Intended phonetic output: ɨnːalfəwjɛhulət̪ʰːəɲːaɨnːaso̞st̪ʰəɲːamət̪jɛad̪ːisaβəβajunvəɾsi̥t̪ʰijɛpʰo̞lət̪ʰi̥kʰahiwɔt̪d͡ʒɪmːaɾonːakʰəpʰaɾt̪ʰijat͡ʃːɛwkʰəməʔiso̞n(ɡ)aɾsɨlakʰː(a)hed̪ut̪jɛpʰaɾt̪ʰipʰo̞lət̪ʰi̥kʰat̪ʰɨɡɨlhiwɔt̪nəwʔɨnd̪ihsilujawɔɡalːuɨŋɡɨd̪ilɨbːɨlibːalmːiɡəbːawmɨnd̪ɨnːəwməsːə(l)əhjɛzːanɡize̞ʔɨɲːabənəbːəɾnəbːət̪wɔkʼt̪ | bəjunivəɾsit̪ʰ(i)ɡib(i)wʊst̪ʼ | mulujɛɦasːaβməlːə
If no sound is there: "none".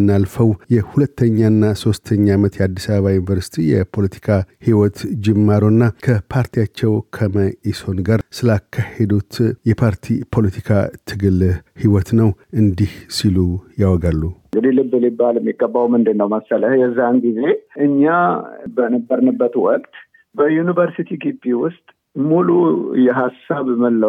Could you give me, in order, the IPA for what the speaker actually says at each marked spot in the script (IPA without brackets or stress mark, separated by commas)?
ɡ, a, l, i, i